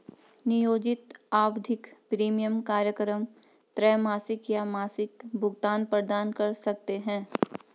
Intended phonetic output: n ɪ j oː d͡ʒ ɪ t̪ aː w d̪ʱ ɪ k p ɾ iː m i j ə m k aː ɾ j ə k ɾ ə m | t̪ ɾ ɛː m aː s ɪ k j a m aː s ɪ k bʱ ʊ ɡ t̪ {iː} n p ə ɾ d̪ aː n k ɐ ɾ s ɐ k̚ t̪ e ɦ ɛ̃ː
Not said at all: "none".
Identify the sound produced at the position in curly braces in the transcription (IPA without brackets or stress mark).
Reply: aː